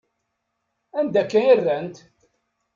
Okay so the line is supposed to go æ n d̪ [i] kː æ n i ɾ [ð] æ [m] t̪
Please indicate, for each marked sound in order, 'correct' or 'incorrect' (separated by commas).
incorrect, correct, incorrect